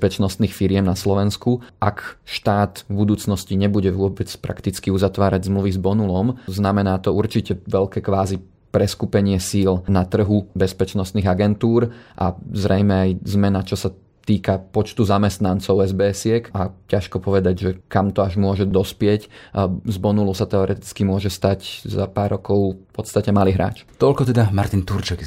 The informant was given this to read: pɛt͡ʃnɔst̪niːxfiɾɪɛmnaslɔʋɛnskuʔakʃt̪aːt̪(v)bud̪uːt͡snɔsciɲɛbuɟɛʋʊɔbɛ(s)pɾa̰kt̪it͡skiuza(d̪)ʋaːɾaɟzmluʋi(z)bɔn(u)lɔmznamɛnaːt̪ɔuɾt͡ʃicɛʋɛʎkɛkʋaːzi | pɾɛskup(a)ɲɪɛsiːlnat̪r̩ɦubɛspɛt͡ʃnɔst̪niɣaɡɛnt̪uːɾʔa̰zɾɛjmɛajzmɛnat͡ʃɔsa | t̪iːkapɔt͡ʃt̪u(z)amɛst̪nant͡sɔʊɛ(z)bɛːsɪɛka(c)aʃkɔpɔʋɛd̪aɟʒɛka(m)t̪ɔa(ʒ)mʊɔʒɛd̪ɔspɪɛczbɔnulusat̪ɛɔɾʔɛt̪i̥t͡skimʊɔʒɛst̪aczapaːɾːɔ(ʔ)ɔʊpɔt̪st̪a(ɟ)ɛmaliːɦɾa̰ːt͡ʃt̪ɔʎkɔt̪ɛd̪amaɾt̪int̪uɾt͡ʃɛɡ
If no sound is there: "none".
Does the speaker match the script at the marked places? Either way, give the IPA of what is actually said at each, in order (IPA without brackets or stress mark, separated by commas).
v, t͡s, t̪, z, u, ɛ, z, z, c, m, ʒ, k, c